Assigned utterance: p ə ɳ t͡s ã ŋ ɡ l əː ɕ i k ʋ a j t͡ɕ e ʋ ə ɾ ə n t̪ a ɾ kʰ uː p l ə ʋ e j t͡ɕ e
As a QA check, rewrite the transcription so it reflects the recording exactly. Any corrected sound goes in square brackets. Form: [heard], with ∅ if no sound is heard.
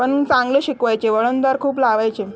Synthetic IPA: p ə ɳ t͡s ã ŋ ɡ l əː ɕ i k ʋ a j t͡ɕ e ʋ ə [ɭ] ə n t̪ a ɾ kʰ uː p l [a] ʋ [a] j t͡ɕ e